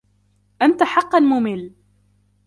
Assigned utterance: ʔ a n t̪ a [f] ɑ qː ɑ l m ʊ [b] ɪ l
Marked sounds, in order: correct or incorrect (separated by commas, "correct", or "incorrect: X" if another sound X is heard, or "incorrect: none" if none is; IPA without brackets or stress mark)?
incorrect: ħ, incorrect: m